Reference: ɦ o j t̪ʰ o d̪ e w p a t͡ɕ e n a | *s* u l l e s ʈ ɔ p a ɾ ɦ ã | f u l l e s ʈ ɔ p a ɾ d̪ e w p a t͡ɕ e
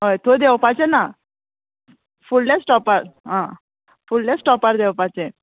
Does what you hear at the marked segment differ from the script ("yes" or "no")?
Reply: yes